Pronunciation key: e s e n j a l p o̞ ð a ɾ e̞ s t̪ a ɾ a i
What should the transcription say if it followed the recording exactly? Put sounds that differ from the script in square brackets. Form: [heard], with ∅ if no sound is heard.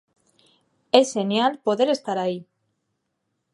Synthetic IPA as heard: e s e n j a l p o̞ ð [e] ɾ e̞ s t̪ a ɾ a i